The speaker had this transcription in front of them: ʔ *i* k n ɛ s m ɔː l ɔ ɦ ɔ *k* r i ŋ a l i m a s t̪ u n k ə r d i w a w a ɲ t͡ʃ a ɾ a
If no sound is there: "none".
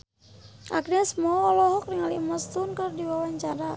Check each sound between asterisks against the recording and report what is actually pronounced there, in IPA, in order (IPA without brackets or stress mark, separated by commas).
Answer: a, k